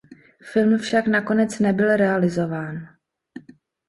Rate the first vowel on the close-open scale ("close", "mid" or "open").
close